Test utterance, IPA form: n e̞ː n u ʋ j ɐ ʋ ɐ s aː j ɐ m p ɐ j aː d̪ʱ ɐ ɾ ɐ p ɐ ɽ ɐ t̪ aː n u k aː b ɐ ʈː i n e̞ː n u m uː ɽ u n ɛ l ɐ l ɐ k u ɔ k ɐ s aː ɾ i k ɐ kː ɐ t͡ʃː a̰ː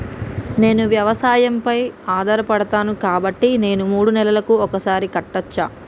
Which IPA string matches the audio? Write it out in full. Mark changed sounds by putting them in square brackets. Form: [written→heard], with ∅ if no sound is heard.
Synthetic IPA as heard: n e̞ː n u ʋ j ɐ ʋ ɐ s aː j ɐ m p ɐ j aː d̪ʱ ɐ ɾ ɐ p ɐ ɽ ɐ t̪ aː n u k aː b ɐ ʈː i n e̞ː n u m uː ɽ u n ɛ l ɐ l ɐ k u ɔ k ɐ s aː ɾ i k ɐ [kː→ʈː] ɐ t͡ʃː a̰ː